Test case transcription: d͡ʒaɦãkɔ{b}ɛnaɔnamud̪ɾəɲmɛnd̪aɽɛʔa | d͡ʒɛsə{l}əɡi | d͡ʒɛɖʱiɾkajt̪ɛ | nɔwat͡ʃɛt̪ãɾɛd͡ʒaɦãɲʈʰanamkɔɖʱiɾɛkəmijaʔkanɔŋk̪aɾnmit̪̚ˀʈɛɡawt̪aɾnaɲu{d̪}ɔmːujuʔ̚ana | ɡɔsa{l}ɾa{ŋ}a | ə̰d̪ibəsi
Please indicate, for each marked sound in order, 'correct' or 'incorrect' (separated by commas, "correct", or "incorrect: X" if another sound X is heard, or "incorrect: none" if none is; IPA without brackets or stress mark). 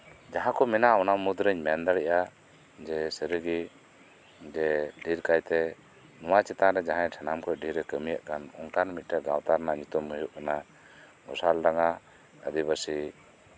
incorrect: m, incorrect: ɾ, incorrect: t̪, correct, correct